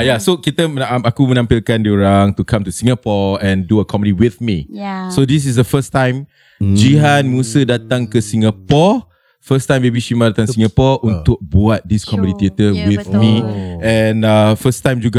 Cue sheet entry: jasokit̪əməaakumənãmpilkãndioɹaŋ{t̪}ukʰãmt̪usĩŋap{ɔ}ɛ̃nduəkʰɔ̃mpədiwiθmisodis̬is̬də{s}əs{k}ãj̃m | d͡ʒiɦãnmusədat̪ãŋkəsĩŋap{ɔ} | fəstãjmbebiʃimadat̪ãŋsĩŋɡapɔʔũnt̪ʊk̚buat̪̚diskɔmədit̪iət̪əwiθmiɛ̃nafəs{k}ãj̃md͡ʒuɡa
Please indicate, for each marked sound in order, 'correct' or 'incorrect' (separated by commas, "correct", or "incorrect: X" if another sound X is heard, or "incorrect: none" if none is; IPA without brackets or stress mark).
correct, correct, incorrect: f, incorrect: t, correct, incorrect: t